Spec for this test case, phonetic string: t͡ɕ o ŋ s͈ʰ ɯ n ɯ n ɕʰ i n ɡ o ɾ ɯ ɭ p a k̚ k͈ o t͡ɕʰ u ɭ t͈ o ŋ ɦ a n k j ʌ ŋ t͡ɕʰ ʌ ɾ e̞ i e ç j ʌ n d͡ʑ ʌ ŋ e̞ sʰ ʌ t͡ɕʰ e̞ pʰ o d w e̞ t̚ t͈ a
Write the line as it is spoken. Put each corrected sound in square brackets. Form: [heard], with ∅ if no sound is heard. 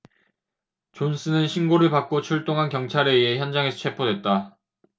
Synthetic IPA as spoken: t͡ɕ o [n] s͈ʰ ɯ n ɯ n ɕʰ i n ɡ o ɾ ɯ ɭ p a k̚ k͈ o t͡ɕʰ u ɭ t͈ o ŋ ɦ a n k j ʌ ŋ t͡ɕʰ [a] ɾ e̞ i e ç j ʌ n d͡ʑ [a] ŋ e̞ sʰ ʌ t͡ɕʰ e̞ pʰ o d w e̞ t̚ t͈ a